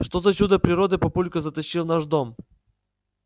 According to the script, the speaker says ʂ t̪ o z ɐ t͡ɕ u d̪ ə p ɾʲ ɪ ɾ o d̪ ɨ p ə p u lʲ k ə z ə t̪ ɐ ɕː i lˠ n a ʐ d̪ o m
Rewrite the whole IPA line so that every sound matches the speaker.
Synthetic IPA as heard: ʂ t̪ o z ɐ t͡ɕ u d̪ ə p ɾʲ ɪ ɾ o d̪ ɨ p ɐ p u lʲ k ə z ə t̪ ɐ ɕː i lˠ n a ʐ d̪ o m